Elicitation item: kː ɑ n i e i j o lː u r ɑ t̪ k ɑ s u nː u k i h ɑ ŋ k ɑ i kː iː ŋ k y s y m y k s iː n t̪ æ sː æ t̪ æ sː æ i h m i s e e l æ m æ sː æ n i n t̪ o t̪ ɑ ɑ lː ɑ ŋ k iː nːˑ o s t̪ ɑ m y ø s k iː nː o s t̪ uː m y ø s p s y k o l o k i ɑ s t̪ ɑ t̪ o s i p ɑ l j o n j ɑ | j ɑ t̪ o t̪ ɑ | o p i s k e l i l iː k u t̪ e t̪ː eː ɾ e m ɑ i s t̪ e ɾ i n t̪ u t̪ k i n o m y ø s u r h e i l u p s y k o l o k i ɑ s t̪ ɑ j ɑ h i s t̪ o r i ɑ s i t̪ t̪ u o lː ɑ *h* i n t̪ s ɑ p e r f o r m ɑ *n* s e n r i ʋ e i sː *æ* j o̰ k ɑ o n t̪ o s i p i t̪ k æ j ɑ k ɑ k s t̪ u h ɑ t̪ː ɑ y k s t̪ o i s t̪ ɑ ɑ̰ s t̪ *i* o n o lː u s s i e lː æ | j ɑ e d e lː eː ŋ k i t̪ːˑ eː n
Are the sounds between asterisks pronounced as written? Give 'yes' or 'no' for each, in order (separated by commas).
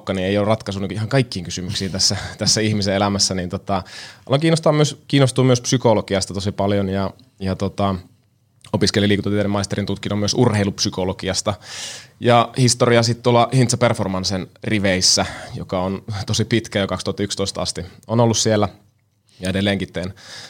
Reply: yes, yes, yes, yes